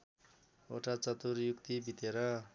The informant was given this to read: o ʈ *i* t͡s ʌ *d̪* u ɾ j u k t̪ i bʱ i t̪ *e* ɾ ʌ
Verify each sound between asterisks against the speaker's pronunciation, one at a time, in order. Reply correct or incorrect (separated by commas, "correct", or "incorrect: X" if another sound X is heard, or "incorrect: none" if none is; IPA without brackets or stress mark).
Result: incorrect: a, incorrect: t̪, correct